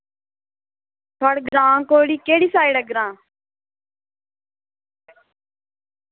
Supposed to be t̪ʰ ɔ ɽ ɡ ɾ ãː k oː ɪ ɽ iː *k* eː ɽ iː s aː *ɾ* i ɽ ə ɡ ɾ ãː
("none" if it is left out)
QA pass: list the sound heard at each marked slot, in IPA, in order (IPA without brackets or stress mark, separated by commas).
k, none